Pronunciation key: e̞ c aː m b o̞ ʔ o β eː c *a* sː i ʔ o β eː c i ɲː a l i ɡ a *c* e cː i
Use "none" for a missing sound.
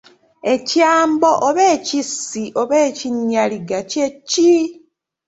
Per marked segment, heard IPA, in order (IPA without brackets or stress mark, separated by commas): i, c